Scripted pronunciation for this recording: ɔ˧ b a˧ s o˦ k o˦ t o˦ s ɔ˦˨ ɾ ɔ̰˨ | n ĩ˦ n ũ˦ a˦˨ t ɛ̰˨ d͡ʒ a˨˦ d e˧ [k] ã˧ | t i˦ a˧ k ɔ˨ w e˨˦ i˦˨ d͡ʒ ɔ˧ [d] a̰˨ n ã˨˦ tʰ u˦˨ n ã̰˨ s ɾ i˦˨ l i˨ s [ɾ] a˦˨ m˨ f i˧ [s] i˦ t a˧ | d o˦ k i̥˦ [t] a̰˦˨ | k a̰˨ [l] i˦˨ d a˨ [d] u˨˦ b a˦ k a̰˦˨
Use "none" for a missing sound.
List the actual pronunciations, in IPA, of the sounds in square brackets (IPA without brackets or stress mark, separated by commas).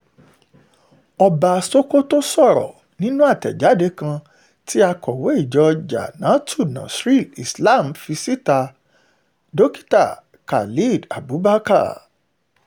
k, d͡ʒ, l, s, t, l, b